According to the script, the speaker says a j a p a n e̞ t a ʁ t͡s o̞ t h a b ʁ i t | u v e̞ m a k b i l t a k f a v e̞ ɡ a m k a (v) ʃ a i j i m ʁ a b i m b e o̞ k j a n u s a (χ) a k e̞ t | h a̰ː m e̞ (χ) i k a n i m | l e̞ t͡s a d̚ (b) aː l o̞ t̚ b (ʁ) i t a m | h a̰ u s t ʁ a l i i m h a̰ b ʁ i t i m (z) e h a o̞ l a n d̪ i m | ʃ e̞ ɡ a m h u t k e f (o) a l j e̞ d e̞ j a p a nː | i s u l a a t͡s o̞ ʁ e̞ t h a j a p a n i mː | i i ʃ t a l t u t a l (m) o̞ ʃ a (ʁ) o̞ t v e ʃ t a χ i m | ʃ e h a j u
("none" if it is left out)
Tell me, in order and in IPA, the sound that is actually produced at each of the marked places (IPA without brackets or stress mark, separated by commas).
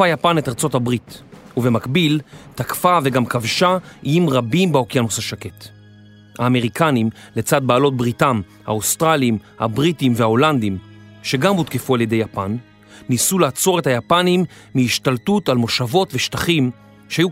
v, ʃ, ʁ, b, ʁ, v, u, m, v